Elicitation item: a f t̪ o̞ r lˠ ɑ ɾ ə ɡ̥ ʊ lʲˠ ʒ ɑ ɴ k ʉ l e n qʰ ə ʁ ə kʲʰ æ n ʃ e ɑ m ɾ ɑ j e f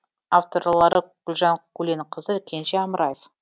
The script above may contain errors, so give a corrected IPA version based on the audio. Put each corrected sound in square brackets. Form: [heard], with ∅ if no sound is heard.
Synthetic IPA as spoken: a f t̪ o̞ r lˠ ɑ ɾ ə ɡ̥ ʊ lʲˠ ʒ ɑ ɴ k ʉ l e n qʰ ə [z] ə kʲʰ [e] n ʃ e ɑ m ɾ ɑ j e f